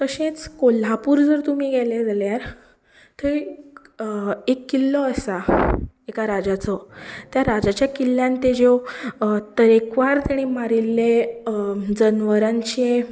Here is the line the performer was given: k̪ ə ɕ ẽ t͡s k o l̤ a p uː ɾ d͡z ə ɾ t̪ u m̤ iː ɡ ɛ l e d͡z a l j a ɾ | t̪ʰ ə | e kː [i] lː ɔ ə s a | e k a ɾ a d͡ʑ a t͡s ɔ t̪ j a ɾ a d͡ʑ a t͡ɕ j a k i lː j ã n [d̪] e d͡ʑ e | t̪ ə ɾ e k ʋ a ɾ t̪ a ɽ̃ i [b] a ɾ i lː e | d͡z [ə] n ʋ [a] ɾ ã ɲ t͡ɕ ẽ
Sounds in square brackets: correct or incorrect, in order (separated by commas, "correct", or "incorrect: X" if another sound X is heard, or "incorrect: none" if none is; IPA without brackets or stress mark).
correct, incorrect: t̪, incorrect: m, correct, incorrect: ə